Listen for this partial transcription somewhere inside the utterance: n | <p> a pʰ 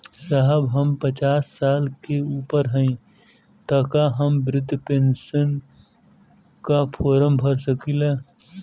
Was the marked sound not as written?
yes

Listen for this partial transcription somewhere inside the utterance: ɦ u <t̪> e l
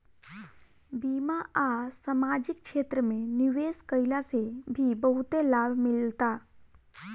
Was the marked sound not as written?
no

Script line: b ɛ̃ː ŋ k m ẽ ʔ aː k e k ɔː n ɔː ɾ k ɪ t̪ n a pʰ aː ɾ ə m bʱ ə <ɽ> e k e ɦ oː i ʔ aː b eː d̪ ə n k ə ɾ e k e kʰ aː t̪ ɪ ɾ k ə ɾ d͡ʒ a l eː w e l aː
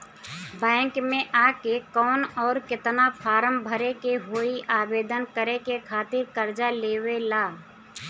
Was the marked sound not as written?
yes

